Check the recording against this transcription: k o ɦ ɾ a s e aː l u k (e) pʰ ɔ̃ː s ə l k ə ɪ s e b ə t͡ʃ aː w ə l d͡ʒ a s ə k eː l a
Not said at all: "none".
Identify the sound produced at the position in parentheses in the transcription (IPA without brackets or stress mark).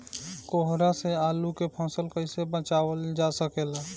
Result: e